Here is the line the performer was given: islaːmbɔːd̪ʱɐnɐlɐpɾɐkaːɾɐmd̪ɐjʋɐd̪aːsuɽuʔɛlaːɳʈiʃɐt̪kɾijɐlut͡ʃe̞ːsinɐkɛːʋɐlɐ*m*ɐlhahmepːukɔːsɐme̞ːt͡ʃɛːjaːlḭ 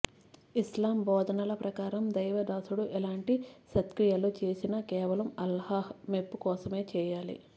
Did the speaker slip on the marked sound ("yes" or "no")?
no